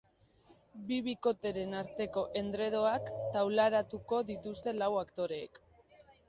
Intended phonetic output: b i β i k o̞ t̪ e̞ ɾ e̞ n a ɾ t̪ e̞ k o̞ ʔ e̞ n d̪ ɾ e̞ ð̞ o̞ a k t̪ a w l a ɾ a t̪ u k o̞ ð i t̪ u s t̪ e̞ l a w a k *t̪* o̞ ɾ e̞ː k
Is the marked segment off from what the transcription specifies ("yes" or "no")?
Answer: no